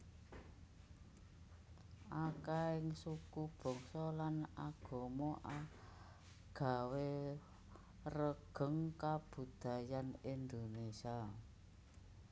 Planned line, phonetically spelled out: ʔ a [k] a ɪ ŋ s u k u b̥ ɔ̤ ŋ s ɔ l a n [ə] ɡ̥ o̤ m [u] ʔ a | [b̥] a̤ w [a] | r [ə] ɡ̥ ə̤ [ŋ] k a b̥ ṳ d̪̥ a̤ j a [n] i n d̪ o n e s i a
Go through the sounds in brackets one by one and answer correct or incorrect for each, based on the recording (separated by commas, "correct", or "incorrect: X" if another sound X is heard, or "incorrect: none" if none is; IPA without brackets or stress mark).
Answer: correct, incorrect: a, incorrect: ɔ, incorrect: ɡ̥, incorrect: e, correct, correct, correct